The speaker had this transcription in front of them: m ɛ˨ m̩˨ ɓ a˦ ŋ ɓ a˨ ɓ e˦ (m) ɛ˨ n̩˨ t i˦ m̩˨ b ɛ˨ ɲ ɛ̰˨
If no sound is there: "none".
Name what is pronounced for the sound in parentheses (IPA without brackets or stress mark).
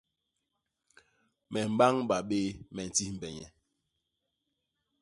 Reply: m